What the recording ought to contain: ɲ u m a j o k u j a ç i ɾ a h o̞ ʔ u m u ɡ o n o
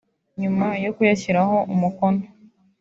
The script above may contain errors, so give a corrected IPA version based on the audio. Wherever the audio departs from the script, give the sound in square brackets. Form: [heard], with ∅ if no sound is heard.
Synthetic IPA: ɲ u m a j o k u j a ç i ɾ a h o̞ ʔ u m u [k] o n o